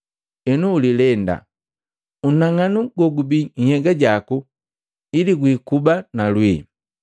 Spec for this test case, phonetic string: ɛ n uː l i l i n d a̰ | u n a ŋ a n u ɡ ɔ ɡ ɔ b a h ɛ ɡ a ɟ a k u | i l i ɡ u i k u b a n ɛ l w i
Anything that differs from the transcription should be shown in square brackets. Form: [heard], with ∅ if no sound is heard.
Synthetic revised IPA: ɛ n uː l i l [ɛ] n d a̰ | u n a ŋ a n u ɡ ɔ ɡ [u] b [i] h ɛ ɡ a ɟ a k u | i l i ɡ [w] i k u b a n [a] l w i